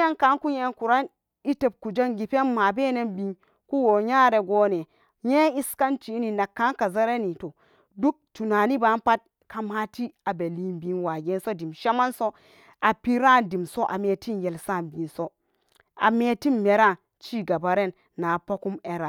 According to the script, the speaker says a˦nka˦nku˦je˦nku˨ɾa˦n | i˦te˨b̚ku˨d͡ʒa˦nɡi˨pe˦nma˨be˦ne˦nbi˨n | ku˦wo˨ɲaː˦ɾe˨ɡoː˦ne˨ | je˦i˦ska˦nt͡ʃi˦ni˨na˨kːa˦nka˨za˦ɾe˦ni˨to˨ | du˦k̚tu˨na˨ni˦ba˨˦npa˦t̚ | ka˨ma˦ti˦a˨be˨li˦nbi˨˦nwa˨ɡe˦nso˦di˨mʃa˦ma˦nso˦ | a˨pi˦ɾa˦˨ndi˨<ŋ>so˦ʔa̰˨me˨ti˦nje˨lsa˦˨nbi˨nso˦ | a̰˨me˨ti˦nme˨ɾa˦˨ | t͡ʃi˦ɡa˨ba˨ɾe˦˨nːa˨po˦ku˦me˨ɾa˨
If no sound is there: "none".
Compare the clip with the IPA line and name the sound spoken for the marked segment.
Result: m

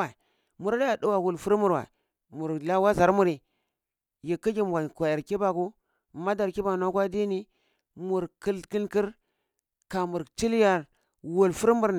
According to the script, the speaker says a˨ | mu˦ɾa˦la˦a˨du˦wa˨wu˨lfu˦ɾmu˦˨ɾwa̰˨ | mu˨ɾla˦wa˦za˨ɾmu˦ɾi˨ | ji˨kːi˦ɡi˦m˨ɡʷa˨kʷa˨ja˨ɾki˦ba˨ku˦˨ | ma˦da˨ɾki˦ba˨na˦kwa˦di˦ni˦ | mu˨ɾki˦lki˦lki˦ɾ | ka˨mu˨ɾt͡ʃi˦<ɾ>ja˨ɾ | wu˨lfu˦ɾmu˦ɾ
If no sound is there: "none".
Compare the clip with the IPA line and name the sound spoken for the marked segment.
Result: l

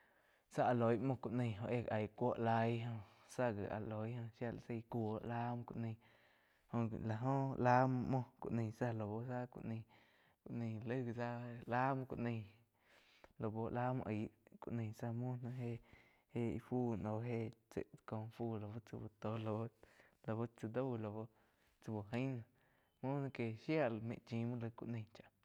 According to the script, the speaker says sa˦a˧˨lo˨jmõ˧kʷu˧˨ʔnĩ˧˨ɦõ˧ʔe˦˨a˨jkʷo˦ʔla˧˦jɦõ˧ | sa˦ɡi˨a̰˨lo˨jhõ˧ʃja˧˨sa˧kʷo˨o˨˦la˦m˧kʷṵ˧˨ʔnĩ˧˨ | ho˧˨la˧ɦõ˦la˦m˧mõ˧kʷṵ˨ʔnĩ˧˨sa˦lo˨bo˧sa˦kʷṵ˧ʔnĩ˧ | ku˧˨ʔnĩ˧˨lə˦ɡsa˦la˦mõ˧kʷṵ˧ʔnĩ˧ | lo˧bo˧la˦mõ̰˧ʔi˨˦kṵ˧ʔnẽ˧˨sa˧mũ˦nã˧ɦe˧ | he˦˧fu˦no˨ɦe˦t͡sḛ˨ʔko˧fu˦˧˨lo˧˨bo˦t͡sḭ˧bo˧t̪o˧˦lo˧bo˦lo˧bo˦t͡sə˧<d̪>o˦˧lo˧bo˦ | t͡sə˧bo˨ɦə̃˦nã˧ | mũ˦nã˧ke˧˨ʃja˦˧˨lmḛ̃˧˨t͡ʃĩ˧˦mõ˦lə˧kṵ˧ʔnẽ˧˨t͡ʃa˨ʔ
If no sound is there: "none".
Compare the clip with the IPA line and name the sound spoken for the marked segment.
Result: d̪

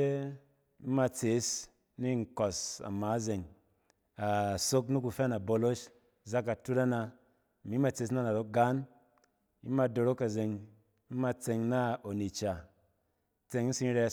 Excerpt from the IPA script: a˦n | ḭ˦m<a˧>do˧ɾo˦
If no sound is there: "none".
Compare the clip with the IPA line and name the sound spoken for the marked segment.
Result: a˧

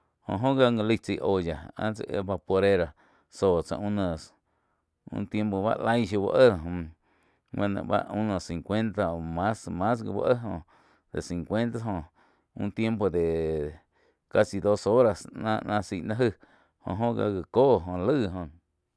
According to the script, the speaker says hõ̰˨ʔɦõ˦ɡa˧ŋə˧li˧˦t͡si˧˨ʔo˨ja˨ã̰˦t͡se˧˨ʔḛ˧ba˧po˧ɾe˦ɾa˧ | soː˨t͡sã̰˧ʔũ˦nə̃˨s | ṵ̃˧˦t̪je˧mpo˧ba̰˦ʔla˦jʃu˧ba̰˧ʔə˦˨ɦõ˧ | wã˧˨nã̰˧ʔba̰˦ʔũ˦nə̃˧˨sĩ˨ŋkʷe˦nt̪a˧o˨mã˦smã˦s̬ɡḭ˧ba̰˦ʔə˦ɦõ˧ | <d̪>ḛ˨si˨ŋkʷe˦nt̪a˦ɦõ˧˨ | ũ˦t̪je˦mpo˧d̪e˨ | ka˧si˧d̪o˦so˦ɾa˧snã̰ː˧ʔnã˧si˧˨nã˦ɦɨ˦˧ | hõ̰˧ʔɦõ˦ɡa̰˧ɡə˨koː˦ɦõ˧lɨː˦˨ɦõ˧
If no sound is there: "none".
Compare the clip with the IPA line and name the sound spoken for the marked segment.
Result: d̪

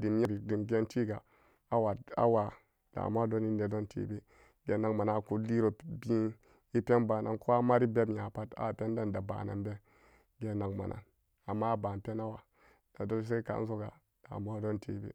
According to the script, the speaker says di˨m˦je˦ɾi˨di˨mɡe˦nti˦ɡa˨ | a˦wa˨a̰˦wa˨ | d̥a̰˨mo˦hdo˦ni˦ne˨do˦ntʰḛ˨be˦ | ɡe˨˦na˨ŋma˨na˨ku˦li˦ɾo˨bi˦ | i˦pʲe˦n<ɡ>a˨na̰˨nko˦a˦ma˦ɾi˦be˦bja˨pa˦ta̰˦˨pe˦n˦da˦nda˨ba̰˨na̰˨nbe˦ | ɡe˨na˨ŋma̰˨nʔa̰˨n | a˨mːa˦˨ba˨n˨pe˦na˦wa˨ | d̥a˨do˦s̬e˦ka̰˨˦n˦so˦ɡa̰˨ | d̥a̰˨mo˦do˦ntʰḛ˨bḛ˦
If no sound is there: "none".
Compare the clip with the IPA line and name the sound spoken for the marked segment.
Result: b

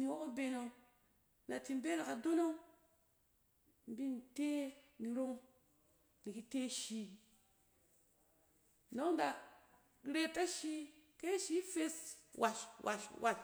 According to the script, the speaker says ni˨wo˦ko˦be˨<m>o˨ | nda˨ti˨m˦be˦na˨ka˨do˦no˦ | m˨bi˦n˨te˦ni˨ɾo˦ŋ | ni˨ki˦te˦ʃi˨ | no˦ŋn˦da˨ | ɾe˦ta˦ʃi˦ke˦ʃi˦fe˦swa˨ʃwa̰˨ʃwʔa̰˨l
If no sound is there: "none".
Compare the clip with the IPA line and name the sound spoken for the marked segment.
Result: n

